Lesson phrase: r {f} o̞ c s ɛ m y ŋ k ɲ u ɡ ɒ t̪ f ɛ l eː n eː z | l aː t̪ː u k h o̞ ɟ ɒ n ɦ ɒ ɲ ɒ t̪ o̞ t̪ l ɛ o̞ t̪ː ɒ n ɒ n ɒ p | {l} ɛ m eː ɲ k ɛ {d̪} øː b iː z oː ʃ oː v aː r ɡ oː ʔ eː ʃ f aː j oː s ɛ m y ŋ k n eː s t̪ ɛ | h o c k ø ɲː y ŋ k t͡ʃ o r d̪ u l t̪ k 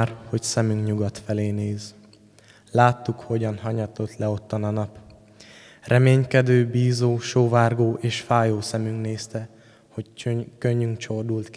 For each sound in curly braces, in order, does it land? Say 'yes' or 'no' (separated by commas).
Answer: no, no, yes